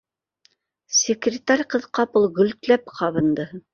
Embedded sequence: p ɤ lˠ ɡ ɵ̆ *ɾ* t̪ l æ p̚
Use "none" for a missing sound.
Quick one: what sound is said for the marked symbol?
l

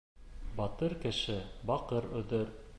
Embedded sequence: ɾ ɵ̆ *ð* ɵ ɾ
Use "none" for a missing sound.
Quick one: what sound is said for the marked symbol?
ð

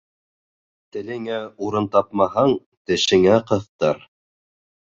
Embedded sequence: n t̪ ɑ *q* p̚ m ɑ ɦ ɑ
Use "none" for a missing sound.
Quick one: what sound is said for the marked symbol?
none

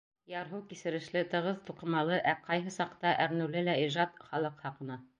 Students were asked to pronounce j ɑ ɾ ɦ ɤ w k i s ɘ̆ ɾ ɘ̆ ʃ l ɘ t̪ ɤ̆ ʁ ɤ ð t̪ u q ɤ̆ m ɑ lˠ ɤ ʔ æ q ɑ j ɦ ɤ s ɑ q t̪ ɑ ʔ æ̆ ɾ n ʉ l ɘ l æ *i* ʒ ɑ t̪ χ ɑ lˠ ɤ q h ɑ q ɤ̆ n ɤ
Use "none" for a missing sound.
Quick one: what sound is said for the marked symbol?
i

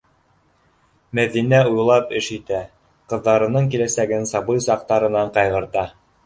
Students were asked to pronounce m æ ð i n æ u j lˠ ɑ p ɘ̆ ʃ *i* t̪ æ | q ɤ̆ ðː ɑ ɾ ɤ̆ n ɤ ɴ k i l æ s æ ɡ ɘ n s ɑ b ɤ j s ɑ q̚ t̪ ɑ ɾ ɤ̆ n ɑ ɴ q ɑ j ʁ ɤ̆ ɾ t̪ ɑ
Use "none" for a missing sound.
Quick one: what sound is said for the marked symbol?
i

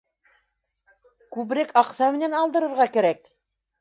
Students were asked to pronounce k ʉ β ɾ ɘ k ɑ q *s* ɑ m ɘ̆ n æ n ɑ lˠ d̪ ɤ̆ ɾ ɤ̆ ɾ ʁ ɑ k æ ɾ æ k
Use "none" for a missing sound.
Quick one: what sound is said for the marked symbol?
s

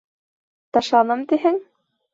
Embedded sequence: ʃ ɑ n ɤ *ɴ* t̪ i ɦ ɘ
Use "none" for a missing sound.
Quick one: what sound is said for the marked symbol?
m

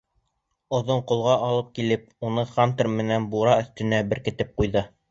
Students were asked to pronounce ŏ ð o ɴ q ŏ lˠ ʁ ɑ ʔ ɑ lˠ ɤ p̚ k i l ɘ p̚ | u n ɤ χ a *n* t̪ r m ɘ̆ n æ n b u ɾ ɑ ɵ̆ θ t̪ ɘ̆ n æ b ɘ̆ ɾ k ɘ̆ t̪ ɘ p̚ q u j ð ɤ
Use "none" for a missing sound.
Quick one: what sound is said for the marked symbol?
n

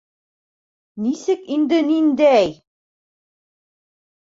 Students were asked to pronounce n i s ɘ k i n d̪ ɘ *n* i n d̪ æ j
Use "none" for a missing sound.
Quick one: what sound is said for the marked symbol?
n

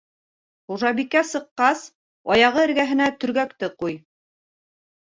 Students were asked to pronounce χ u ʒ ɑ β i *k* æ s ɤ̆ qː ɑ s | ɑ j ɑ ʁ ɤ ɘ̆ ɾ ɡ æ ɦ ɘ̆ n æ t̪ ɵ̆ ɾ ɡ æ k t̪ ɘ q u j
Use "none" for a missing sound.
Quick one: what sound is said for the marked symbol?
k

